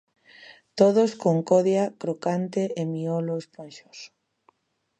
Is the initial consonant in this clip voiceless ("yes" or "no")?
yes